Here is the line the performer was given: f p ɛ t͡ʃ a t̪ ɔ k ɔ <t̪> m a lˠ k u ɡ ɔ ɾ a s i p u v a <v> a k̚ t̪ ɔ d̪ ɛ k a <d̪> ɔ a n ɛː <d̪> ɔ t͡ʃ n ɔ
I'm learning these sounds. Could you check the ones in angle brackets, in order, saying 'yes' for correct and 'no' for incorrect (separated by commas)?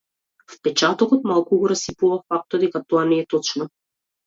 yes, no, no, no